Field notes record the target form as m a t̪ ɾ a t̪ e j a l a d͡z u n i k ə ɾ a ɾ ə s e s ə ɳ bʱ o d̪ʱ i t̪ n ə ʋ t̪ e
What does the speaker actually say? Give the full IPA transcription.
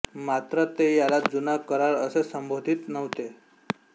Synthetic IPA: m a t̪ ɾ ə t̪ e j a l a d͡z u n a k ə ɾ a ɾ ə s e s ə m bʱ o d̪ʱ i t̪ n ə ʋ t̪ e